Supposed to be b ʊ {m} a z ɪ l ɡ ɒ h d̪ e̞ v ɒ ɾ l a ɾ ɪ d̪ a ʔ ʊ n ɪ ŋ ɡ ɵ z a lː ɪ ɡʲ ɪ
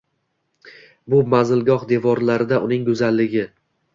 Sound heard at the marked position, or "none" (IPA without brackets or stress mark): m